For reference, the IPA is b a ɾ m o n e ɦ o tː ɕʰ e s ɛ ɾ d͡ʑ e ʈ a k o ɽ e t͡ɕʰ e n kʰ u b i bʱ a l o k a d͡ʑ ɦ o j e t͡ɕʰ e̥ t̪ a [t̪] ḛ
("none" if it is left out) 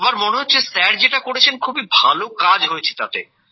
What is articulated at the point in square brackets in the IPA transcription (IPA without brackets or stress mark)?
t̪